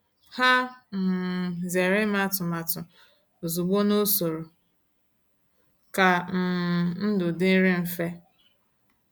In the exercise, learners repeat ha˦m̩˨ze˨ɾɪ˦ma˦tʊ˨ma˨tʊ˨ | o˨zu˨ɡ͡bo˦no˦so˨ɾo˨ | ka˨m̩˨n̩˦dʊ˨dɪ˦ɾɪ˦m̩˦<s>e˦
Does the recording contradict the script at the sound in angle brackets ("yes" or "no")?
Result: yes